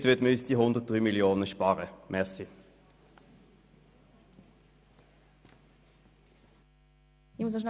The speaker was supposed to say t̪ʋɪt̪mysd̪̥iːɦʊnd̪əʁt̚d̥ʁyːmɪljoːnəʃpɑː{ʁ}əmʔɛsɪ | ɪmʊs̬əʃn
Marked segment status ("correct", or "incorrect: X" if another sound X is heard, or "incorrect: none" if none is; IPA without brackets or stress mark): correct